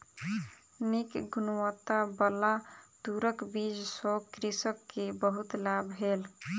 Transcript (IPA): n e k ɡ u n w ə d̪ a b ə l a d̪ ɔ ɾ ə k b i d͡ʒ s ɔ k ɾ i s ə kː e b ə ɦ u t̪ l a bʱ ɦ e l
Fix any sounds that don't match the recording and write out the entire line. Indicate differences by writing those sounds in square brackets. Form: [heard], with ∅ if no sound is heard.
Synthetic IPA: n [i] k ɡ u n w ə [t̪] a b ə l a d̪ [u] ɾ ə k b i d͡ʒ s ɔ k ɾ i s ə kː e b ə ɦ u t̪ l a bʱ ɦ e l